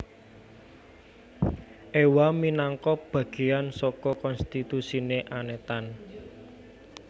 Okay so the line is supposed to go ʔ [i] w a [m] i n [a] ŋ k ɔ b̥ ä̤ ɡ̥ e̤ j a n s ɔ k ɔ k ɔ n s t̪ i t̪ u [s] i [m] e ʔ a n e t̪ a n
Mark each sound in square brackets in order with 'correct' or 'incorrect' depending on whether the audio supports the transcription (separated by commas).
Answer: incorrect, correct, correct, correct, incorrect